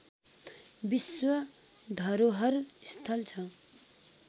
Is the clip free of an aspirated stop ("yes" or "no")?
no